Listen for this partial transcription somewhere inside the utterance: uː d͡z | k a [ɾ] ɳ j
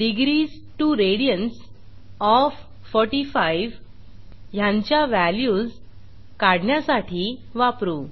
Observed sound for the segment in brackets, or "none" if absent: ɽ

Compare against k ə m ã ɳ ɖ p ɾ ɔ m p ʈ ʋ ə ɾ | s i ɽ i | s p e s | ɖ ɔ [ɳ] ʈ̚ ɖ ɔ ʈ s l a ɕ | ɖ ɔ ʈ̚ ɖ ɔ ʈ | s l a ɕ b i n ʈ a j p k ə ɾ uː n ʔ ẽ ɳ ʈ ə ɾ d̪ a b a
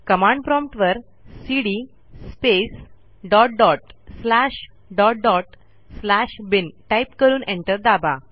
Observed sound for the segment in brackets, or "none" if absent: none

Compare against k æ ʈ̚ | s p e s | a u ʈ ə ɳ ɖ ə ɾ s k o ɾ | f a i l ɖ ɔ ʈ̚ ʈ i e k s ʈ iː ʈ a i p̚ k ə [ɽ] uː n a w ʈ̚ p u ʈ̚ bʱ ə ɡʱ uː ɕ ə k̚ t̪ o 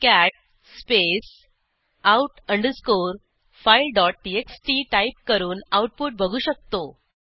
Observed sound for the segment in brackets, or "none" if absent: ɾ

